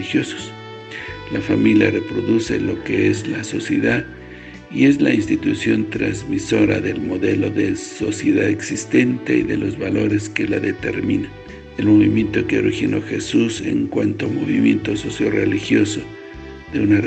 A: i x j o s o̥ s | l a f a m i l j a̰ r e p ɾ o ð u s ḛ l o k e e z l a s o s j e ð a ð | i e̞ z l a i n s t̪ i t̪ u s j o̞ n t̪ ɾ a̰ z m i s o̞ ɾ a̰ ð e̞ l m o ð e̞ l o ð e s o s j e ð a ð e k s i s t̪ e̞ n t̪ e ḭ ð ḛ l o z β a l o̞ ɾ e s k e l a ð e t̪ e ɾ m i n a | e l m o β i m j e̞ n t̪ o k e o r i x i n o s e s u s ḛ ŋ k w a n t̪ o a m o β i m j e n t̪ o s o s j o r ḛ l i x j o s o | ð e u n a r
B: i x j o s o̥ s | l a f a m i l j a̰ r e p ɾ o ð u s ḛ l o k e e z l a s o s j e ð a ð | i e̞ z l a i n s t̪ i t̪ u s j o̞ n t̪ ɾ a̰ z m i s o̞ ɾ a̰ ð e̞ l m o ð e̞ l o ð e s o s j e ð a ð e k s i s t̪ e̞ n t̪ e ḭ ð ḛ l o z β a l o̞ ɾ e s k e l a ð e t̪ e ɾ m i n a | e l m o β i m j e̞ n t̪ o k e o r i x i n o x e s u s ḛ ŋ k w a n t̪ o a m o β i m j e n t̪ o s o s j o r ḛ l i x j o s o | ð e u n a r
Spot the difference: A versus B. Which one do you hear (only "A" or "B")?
B